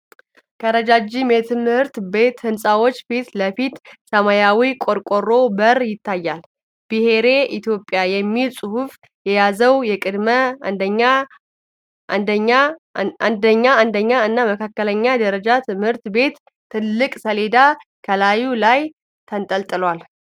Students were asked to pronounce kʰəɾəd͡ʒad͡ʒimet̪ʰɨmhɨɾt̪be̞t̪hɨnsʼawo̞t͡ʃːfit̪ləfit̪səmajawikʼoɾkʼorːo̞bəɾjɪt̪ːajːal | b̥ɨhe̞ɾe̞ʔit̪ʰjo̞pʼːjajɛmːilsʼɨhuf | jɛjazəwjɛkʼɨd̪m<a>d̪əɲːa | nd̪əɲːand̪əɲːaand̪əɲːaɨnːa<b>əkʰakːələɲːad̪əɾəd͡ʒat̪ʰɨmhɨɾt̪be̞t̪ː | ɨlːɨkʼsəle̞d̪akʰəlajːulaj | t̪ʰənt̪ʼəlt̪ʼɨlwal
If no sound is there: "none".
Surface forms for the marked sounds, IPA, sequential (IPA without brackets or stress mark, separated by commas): ə, m